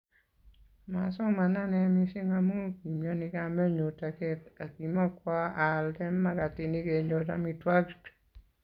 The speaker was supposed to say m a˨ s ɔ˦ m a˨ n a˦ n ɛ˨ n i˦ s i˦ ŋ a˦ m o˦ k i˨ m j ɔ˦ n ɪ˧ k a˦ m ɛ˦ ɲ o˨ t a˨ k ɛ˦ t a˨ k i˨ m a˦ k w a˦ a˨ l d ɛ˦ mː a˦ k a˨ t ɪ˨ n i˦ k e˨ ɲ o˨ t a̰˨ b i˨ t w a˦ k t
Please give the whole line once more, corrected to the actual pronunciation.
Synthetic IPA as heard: m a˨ s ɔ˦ m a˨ n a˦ n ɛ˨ m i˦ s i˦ ŋ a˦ m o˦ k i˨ m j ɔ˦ n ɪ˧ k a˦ m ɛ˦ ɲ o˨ t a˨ k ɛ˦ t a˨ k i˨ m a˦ k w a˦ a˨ l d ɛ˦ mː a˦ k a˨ t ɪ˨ n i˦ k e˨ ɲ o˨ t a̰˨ m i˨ t w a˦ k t